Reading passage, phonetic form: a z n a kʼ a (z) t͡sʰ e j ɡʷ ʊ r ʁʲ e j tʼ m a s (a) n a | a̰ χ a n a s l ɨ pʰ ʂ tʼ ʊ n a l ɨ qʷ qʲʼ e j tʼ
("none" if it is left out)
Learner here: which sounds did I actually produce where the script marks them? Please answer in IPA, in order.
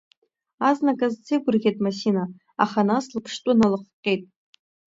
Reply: z, i

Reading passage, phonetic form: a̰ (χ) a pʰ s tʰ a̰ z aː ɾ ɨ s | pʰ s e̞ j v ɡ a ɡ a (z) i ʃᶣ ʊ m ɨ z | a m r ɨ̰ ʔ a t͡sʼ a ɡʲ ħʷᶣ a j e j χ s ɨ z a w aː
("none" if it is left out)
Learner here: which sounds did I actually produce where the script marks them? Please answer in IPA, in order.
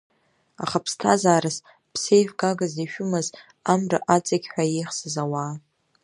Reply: χ, z

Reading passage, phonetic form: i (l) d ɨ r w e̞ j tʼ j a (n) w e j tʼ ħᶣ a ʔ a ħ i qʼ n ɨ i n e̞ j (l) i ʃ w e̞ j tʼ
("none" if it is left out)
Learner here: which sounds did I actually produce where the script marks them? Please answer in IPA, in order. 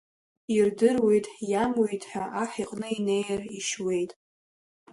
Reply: r, m, r

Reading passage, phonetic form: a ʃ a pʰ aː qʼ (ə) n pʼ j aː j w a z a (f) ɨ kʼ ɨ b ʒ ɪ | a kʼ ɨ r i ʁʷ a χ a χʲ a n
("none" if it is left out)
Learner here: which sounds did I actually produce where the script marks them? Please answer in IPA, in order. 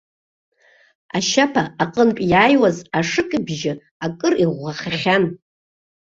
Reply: ə, ʂ

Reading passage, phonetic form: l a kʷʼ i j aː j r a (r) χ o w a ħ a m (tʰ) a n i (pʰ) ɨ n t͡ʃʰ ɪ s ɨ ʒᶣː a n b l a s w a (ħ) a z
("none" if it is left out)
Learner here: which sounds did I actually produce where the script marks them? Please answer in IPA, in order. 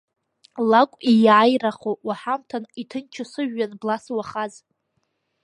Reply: none, tʰ, tʰ, χ

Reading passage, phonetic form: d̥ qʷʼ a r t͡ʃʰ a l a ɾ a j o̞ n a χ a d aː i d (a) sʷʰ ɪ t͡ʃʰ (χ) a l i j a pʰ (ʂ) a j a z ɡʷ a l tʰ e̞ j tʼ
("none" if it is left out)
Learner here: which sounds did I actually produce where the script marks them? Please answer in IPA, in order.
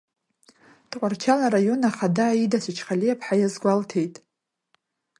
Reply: a, χ, ħ

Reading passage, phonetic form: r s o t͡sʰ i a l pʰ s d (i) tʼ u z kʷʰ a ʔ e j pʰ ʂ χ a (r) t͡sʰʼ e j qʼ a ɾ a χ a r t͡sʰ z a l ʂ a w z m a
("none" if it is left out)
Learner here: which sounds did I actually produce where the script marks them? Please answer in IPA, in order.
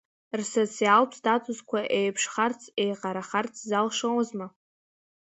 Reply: a, r

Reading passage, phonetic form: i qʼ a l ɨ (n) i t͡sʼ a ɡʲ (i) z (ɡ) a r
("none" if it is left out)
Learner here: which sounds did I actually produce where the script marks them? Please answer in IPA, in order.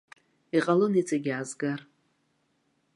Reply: n, a, ɡ

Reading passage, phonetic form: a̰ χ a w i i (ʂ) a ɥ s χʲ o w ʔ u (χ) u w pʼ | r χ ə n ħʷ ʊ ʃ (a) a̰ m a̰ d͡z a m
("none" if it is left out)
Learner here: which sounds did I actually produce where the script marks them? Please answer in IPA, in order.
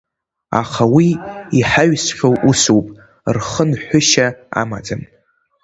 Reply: ħ, s, a

